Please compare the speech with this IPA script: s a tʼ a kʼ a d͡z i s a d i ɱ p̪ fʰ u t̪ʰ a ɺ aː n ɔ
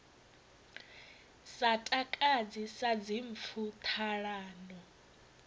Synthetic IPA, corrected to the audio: s a tʼ a kʼ a d͡z i s a d͡z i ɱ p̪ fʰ u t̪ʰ a ɺ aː n ɔ